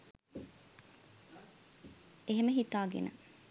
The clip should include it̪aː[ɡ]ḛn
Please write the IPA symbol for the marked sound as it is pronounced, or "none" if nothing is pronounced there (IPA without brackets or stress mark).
ɡ